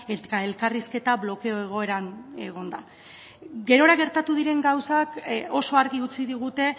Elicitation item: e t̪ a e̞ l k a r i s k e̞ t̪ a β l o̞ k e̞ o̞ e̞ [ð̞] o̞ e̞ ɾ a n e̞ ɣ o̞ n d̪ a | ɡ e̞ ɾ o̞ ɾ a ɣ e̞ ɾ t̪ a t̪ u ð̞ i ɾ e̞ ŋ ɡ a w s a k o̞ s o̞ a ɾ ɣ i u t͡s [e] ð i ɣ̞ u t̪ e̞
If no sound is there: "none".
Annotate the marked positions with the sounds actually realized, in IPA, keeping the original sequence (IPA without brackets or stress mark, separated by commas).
ɣ̞, i